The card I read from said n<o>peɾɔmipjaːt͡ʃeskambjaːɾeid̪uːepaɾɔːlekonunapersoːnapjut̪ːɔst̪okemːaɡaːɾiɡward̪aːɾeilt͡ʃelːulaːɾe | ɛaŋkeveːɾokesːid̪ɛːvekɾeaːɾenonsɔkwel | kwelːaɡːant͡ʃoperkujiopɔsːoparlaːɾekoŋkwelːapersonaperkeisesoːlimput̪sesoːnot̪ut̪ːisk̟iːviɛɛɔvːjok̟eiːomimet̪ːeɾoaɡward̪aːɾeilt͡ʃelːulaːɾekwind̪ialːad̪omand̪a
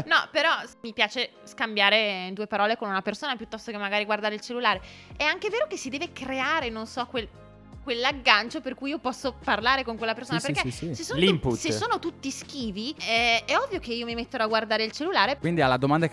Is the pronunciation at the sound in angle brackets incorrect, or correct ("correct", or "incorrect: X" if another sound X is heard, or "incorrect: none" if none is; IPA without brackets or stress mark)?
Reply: incorrect: ɔ